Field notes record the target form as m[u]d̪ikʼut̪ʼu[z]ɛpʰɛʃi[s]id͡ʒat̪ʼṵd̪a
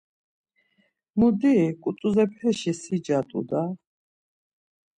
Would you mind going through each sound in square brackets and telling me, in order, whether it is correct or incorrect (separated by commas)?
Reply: correct, correct, correct